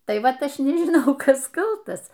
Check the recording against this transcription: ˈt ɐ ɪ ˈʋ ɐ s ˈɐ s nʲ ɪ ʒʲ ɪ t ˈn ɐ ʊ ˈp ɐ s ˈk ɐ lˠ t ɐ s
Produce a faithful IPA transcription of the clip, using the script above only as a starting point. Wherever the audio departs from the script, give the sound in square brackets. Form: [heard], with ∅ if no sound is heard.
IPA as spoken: ˈt ɐ ɪ ˈʋ ɐ [t] ˈɐ [ʃ] nʲ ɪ ʒʲ ɪ [∅] ˈn ɐ ʊ [ˈk] ɐ s ˈk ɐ lˠ t ɐ s